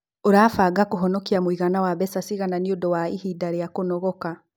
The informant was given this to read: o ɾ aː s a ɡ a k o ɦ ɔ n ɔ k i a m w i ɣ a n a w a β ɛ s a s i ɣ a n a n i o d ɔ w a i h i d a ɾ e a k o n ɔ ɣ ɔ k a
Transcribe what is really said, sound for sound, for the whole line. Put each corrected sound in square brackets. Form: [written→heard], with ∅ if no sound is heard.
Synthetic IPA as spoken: o ɾ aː [s→f] a ɡ a k o ɦ ɔ n ɔ k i a m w i ɣ a n a w a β ɛ s a s i ɣ a n a n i o d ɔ w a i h i d a ɾ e a k o n ɔ ɣ ɔ k a